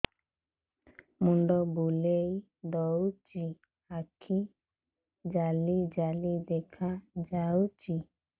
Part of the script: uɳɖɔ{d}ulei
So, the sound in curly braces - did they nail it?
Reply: no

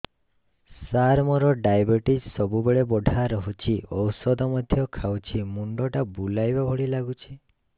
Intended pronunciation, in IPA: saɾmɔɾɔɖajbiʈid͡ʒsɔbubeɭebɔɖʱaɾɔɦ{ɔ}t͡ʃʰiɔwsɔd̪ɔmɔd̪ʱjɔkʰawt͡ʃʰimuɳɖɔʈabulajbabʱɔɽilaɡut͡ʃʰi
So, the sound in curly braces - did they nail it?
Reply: no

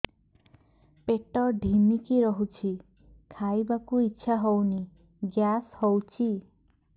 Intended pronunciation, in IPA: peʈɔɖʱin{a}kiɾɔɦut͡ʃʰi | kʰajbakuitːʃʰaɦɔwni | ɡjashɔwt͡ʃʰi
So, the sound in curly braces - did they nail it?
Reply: no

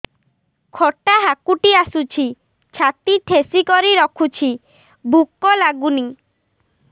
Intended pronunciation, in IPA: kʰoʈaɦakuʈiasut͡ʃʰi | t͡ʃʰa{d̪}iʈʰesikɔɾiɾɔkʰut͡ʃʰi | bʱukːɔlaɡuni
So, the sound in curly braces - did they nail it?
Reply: no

